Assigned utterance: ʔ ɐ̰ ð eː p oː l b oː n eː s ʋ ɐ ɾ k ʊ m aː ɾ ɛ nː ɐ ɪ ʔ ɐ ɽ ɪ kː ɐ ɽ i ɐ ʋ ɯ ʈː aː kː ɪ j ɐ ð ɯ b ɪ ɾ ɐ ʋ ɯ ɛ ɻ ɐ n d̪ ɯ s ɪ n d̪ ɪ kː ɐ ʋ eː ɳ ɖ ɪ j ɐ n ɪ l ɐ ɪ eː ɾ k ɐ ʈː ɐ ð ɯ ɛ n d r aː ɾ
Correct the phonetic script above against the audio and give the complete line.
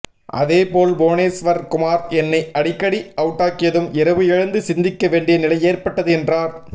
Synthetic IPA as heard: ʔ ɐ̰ ð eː p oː l b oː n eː s ʋ ɐ ɾ k ʊ m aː ɾ ɛ nː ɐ ɪ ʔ ɐ ɽ ɪ kː ɐ ɽ i ɐ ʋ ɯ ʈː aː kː ɪ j ɐ ð ɯ m ɪ ɾ ɐ ʋ ɯ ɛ ɻ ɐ n d̪ ɯ s ɪ n d̪ ɪ kː ɐ ʋ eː ɳ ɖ ɪ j ɐ n ɪ l ɐ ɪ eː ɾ p ɐ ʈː ɐ ð ɯ ɛ n d r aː ɾ